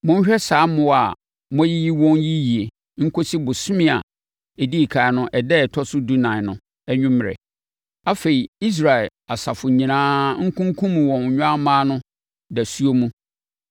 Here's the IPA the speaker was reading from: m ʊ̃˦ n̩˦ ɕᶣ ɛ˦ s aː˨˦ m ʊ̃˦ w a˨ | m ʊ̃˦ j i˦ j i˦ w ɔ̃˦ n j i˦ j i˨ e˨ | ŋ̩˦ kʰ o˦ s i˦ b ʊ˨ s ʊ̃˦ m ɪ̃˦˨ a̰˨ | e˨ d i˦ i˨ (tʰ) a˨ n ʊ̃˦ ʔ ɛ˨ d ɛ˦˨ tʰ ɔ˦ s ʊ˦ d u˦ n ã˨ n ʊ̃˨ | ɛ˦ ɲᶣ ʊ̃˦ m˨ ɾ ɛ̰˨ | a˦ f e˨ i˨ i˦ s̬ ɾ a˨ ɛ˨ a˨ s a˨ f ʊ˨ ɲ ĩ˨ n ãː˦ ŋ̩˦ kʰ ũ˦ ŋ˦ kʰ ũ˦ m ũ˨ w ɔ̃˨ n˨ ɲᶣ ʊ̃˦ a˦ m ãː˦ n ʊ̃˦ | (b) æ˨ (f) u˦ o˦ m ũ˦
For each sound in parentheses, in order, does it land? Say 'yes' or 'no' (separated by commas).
no, no, no